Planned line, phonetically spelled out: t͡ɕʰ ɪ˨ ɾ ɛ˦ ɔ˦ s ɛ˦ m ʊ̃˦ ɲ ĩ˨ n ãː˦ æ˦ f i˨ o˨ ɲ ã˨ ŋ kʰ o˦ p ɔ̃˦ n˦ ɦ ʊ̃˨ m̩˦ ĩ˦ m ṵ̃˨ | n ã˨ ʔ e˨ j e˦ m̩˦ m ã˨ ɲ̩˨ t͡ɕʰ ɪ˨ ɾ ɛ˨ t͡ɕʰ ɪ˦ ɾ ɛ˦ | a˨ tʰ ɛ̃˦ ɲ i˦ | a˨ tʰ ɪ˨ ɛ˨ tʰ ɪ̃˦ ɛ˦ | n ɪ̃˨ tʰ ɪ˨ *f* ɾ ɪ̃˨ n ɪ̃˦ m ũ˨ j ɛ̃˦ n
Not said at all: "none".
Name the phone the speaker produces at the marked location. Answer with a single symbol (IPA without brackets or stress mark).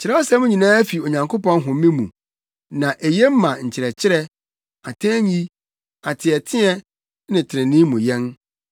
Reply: none